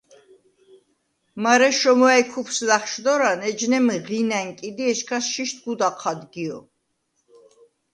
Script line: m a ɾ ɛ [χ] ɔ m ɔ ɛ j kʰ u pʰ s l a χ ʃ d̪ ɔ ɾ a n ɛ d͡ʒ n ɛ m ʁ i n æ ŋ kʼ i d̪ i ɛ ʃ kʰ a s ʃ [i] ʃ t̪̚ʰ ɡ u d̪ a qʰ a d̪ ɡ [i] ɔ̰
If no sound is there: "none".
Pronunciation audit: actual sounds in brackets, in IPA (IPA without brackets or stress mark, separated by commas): ʃ, i, i